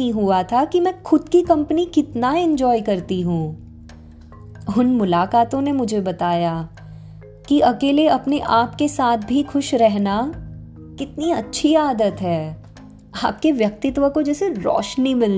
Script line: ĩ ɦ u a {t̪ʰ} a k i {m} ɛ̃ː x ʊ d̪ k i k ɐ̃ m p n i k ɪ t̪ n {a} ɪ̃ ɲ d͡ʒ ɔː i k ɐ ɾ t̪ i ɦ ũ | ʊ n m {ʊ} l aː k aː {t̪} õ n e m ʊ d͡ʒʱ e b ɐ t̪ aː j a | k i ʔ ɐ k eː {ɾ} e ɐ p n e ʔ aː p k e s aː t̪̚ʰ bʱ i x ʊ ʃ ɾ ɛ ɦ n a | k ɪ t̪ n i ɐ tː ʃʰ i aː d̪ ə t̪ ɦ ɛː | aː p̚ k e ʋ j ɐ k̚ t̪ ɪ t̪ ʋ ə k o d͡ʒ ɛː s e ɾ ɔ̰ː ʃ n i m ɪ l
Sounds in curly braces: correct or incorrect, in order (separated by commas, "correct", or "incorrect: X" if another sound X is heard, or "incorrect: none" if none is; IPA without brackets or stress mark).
correct, correct, correct, correct, correct, incorrect: l